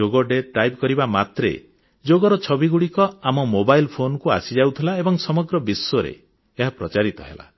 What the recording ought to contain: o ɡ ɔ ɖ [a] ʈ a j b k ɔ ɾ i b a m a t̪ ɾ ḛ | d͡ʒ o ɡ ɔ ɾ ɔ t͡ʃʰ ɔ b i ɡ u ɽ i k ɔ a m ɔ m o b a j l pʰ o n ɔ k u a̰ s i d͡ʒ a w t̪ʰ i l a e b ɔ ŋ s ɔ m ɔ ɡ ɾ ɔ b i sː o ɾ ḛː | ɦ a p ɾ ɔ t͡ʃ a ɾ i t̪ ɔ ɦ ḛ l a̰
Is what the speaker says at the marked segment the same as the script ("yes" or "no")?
no